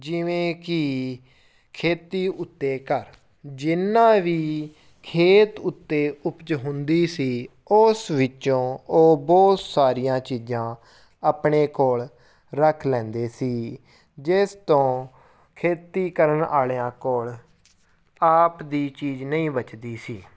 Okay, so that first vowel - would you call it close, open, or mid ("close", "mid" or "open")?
close